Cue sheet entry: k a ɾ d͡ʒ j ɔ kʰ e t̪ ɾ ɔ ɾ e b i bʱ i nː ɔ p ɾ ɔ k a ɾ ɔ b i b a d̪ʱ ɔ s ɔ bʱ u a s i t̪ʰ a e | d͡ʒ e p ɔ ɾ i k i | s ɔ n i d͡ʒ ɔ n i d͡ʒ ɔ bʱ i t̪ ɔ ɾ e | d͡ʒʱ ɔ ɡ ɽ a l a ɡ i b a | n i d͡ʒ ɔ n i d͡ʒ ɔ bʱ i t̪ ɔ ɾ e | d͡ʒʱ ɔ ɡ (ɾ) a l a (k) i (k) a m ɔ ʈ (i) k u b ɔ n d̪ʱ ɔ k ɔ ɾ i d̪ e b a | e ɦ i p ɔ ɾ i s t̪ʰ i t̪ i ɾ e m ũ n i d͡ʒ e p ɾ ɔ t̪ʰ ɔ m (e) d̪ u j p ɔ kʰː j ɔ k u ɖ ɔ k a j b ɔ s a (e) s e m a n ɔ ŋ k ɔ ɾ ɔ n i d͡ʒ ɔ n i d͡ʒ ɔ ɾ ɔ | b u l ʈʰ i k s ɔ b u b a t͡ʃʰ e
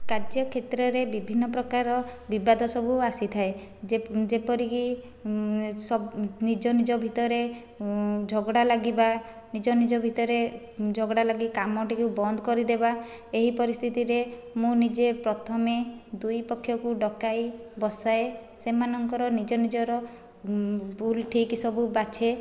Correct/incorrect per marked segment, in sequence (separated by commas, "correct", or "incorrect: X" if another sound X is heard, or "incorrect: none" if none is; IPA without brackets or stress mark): incorrect: ɽ, incorrect: ɡ, correct, correct, correct, correct